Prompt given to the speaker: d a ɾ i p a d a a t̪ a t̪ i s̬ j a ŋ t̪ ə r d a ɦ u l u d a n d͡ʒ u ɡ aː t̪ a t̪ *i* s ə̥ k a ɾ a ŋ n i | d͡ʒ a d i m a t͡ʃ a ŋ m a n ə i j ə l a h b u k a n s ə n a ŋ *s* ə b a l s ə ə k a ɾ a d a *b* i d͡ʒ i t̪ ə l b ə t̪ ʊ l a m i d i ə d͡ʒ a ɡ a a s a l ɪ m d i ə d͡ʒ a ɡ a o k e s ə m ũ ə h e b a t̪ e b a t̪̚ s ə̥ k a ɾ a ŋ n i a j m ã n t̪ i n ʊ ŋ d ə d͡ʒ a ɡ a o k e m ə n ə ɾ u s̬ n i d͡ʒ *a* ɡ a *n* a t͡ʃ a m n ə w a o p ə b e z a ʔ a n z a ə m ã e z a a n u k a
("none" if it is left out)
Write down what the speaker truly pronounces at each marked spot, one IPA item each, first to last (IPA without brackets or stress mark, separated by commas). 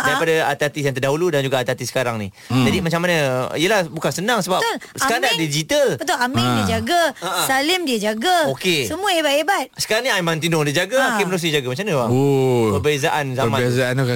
i, s, d, a, m